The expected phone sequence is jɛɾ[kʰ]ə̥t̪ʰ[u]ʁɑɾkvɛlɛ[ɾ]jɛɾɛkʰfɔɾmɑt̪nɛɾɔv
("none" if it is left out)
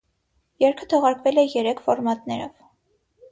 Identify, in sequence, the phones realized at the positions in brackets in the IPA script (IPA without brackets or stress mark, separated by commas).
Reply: kʰ, ɔ, none